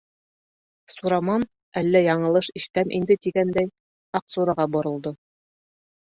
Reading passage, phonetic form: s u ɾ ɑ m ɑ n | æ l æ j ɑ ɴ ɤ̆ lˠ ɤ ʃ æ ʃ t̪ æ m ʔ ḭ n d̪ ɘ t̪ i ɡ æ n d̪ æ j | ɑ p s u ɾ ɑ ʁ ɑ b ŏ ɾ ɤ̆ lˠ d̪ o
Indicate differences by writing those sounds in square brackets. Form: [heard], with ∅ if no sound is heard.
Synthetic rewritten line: s u ɾ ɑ m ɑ n | æ [lː] æ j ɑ ɴ ɤ̆ lˠ ɤ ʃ [i] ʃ t̪ æ m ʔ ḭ n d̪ ɘ t̪ i ɡ æ n d̪ æ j | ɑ [q] s u ɾ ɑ ʁ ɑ b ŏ ɾ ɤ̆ lˠ d̪ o